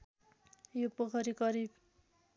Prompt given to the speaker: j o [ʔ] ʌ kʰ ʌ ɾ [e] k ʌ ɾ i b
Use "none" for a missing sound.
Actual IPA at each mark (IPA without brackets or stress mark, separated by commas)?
p, i